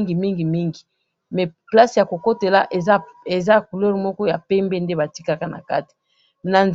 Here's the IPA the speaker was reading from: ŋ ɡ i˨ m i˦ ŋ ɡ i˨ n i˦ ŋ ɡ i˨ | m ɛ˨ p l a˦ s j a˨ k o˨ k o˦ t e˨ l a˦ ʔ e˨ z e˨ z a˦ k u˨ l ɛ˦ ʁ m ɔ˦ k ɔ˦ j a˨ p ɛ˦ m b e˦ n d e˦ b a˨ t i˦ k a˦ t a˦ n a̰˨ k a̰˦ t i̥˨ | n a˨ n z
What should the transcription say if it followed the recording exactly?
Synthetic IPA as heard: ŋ ɡ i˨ m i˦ ŋ ɡ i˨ m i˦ ŋ ɡ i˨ | m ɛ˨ p l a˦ s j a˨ k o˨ k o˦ t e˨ l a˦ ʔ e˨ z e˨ z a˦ k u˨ l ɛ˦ ʁ m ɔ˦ k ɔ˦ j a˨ p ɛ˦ m b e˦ n d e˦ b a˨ t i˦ k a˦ k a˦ n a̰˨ k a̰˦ t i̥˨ | n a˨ n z

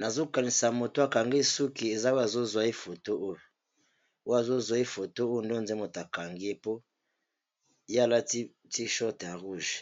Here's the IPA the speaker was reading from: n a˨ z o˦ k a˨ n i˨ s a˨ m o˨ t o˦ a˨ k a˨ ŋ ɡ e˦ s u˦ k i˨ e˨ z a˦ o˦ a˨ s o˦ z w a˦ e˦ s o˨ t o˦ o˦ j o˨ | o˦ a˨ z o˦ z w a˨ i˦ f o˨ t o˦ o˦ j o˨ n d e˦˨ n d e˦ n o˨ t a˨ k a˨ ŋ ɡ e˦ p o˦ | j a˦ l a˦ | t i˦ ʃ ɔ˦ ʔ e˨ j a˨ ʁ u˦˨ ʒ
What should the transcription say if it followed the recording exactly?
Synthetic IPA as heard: n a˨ z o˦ k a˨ n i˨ s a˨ m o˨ t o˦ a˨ k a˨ ŋ ɡ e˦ s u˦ k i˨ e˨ z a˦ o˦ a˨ z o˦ z w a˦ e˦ f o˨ t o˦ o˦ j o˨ | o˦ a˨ z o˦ z w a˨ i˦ f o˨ t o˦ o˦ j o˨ n d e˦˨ n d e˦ m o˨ t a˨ k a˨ ŋ ɡ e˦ p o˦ | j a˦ l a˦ | t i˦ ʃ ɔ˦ t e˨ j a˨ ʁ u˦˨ ʒ

